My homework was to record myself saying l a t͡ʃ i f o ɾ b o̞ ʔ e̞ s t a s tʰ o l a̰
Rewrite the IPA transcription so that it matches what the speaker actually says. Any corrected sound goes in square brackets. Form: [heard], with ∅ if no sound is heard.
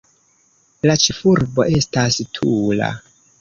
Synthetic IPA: l a t͡ʃ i f [u] ɾ b o̞ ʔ e̞ s t a s tʰ [u] l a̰